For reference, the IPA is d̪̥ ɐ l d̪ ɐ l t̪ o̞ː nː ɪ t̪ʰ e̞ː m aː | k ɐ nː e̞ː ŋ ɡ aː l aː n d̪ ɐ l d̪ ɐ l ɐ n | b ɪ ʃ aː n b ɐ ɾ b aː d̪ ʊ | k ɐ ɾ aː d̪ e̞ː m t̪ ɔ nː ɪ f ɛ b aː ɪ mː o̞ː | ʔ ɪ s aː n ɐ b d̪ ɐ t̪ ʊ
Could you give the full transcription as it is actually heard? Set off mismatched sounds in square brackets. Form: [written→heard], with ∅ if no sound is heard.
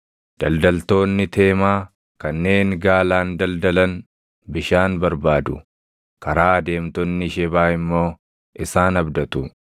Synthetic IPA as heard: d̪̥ ɐ l d̪ ɐ l t̪ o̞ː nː ɪ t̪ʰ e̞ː m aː | k ɐ nː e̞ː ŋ ɡ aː l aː n d̪ ɐ l d̪ ɐ l ɐ n | b ɪ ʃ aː n b ɐ ɾ b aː d̪ ʊ | k ɐ ɾ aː d̪ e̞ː m t̪ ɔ nː ɪ [f→ʃ] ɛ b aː ɪ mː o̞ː | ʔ ɪ s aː n ɐ b d̪ ɐ t̪ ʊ